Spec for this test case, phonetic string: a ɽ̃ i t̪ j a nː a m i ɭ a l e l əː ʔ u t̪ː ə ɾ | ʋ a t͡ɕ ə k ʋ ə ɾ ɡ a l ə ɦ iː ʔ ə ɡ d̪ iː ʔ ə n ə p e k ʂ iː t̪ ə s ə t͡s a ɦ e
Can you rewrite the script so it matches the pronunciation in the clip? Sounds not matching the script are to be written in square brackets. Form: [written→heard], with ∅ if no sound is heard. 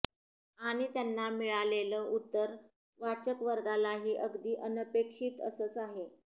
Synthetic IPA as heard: a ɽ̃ i t̪ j a nː a m i ɭ a l e l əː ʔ u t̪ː ə ɾ | ʋ a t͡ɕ ə k ʋ ə ɾ ɡ a l [ə→a] ɦ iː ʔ ə ɡ d̪ iː ʔ ə n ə p e k ʂ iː t̪ ə s ə t͡s a ɦ e